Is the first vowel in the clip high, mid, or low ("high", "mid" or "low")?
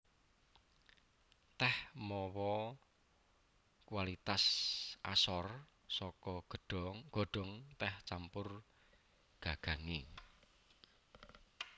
mid